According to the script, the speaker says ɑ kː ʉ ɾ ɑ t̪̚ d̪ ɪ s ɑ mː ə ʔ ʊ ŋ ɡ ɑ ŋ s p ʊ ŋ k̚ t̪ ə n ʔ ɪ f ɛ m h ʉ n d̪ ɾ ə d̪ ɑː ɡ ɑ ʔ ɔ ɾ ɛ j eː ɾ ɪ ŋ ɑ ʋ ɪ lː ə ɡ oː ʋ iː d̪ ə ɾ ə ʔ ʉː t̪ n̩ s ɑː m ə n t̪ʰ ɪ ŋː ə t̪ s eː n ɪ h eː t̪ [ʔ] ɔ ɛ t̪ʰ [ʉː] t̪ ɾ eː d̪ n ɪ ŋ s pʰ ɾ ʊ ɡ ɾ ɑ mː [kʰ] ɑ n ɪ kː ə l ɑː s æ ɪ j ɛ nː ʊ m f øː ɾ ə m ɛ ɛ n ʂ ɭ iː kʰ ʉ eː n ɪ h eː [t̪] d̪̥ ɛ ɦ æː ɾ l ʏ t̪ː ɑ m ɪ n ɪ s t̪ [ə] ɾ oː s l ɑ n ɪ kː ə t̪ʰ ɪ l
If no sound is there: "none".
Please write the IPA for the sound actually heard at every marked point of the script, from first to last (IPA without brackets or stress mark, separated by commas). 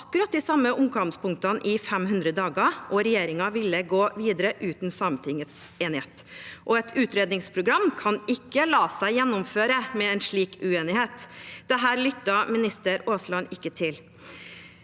ʔ, ʉː, kʰ, t̪, ə